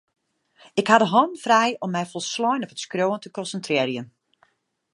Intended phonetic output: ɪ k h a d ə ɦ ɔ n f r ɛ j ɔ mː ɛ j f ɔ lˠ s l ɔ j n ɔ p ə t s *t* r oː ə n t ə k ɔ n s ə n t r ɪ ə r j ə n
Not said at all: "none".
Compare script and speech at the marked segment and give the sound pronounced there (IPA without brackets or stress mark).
k